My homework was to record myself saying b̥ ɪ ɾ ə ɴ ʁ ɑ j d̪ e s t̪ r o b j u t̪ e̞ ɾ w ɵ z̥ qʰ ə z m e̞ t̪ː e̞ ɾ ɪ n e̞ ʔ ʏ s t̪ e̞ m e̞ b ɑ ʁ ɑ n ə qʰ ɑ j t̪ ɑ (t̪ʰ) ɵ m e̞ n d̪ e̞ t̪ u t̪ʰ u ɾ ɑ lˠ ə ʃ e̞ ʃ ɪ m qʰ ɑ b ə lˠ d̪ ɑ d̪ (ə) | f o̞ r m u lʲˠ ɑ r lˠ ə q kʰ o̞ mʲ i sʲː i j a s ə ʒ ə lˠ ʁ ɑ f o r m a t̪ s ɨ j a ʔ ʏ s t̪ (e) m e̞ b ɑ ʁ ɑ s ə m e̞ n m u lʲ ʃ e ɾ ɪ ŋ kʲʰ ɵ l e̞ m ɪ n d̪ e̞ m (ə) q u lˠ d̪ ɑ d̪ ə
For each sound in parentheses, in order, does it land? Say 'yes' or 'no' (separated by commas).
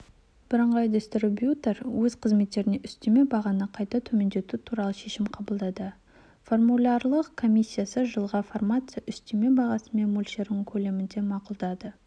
yes, yes, yes, no